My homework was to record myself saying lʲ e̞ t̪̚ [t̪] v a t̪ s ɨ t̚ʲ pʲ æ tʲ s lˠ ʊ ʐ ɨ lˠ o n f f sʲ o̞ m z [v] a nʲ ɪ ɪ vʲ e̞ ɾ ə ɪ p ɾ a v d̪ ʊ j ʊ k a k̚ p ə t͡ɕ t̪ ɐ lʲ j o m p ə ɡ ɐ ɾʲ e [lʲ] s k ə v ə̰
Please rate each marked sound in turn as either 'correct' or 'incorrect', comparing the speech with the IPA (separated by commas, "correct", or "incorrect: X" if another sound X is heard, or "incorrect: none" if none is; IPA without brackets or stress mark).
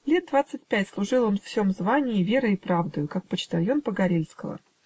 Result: incorrect: d̪, correct, correct